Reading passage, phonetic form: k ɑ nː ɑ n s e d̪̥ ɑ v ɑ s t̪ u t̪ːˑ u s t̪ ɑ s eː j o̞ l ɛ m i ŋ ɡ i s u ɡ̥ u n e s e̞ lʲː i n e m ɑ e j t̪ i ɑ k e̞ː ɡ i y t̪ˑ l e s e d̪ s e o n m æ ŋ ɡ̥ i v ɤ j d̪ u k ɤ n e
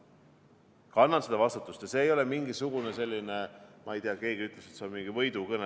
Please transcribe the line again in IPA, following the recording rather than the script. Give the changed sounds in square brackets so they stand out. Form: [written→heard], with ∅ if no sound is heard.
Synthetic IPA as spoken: k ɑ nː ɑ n s e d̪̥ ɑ v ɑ s t̪ u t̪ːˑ u s t̪ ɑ s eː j o̞ l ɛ m i ŋ ɡ i s u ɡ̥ u n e s e̞ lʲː i n e m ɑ e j t̪ i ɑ k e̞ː ɡ i y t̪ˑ l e s e [d̪→t̪] s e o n m [æ→i] ŋ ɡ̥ i v ɤ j d̪ u k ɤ n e